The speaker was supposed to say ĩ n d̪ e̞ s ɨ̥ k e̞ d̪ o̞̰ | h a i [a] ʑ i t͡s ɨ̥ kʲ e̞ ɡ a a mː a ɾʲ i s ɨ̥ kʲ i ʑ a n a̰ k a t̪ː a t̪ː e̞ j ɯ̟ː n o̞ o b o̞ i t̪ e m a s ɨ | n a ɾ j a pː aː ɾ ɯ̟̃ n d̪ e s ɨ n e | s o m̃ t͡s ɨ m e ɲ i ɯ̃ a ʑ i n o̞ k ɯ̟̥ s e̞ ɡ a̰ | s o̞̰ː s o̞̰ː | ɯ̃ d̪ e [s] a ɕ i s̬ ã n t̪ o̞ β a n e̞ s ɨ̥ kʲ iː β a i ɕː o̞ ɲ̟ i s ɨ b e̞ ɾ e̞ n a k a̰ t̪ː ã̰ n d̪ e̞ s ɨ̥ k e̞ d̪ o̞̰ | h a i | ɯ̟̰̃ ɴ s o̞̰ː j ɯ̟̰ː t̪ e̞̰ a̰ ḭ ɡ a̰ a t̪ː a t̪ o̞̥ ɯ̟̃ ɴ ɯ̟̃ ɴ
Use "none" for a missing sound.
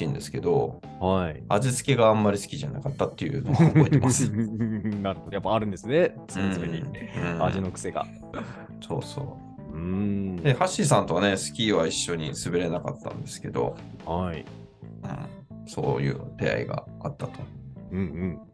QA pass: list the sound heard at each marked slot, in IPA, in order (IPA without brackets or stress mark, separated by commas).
a, h